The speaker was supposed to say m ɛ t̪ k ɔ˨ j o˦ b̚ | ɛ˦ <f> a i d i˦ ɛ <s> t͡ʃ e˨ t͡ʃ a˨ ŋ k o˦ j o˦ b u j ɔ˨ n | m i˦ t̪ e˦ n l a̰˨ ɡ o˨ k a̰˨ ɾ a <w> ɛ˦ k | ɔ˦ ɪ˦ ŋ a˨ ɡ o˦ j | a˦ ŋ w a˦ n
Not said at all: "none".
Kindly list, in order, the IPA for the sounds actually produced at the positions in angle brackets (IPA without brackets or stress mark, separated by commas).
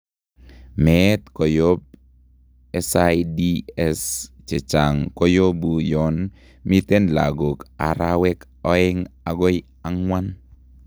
s, s, w